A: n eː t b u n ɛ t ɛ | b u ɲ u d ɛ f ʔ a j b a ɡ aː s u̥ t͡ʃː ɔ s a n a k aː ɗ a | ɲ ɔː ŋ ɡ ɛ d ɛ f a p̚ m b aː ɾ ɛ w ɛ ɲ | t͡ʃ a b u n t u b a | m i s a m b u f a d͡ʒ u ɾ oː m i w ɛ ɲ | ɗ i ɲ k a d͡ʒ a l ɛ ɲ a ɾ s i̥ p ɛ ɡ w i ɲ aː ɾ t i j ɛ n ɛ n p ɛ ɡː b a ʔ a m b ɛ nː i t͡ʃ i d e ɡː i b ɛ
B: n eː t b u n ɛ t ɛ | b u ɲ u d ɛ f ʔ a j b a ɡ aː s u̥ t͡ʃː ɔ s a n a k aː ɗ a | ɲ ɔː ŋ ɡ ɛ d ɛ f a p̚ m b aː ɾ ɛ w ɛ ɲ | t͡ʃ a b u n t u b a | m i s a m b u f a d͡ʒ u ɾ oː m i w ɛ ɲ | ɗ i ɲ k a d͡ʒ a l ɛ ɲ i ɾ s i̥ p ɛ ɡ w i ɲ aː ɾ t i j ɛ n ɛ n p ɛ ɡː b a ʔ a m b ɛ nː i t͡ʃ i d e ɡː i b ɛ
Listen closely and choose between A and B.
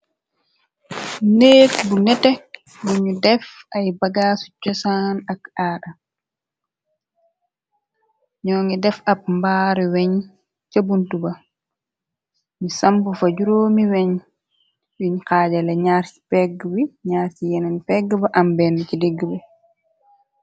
A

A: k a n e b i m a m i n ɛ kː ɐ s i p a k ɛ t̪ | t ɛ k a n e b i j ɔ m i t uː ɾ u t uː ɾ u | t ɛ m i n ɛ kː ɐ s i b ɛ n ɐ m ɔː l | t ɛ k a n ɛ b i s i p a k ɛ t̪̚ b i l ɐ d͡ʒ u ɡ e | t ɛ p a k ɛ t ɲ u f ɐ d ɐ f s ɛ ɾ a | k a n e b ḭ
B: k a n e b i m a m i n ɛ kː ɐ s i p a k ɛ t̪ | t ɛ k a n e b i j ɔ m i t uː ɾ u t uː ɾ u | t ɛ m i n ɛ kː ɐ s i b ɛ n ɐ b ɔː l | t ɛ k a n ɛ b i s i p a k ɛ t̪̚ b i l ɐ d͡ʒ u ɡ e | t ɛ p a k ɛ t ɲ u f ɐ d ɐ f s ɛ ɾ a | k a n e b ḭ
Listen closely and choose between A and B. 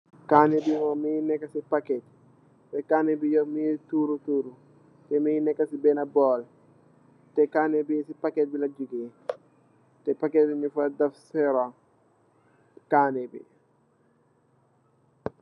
B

